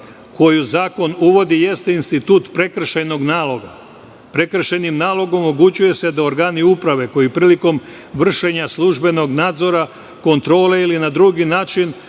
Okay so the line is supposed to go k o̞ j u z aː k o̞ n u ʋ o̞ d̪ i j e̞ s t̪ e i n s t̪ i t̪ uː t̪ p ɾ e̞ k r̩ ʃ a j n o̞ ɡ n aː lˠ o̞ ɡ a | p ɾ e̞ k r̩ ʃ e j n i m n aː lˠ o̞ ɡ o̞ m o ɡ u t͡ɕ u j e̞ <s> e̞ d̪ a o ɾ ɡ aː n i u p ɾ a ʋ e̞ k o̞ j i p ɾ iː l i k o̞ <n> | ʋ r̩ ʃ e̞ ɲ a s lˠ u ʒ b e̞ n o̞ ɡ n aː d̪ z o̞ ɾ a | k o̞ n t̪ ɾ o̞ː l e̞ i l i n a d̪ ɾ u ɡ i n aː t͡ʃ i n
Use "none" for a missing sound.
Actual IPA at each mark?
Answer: s, m

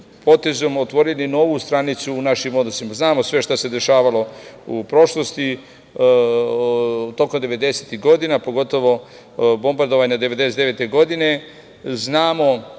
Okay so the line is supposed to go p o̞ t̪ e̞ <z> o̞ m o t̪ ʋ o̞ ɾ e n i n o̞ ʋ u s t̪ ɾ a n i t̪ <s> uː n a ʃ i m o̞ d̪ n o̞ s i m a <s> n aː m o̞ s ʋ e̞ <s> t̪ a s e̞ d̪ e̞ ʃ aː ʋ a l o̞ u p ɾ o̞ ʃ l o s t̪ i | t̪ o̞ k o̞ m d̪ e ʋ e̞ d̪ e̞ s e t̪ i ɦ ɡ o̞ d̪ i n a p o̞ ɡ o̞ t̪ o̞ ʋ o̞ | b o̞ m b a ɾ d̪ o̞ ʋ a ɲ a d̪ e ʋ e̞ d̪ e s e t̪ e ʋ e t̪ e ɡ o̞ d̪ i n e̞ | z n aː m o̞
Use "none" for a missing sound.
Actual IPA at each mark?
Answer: z, s, z, ʃ

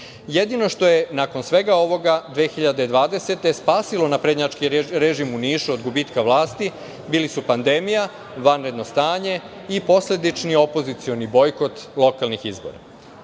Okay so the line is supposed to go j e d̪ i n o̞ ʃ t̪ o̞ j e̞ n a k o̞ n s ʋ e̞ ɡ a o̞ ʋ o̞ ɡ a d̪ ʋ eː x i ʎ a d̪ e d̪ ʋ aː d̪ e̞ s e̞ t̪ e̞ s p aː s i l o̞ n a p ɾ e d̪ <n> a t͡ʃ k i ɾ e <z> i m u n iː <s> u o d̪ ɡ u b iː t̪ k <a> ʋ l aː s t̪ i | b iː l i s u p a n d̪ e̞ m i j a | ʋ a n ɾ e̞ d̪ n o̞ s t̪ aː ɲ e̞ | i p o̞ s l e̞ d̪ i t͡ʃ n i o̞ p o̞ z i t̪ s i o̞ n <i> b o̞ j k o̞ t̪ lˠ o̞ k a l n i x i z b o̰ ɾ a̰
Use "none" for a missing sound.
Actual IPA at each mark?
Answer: ɲ, ʒ, ʃ, a, i

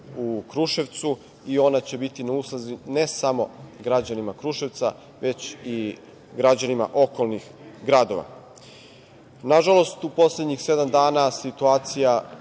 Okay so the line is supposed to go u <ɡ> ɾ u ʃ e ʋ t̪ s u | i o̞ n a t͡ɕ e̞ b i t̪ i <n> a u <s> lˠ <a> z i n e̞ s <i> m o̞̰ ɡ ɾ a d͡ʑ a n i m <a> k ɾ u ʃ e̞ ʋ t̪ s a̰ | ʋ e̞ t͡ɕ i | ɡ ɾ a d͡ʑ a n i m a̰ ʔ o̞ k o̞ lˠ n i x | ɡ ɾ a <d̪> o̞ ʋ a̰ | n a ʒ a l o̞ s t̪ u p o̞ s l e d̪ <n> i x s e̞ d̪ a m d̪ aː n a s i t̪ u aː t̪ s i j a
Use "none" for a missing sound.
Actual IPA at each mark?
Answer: k, n, s, a, a, a, d̪, ɲ

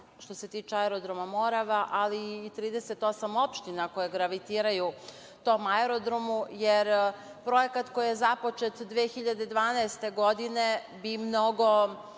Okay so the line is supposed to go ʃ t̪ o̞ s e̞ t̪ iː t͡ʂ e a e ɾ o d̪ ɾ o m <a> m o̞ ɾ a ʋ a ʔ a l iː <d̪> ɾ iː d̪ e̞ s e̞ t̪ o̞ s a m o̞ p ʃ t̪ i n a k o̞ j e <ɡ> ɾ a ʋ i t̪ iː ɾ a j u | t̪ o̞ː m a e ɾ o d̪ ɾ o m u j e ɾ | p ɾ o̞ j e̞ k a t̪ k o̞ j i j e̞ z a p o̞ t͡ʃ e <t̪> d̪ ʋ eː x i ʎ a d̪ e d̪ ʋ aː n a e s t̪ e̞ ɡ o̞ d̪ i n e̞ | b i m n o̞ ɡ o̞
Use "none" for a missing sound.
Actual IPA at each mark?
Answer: a, t̪, ɡ, t̪

